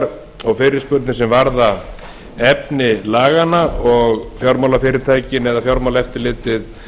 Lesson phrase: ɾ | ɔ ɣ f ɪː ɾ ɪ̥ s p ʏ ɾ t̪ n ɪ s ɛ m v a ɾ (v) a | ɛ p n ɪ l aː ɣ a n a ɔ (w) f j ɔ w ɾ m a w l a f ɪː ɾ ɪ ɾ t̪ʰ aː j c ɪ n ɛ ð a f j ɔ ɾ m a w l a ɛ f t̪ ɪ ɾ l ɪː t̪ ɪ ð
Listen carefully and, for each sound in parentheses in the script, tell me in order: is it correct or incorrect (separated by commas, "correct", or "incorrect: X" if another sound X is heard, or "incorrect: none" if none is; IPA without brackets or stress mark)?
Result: incorrect: ð, incorrect: ɣ